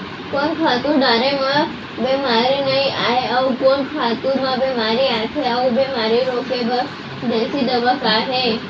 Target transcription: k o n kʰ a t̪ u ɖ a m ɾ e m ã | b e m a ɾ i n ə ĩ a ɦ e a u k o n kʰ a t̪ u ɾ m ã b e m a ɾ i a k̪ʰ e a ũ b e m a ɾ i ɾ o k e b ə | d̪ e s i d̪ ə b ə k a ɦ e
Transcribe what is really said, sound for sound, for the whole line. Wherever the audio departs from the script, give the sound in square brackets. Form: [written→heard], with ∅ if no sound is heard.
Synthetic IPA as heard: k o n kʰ a t̪ u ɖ a [m→∅] ɾ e m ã | b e m a ɾ i n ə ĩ a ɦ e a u k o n kʰ a t̪ u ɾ m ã b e m a ɾ i a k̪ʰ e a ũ b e m a ɾ i ɾ o k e b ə | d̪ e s i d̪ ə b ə k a ɦ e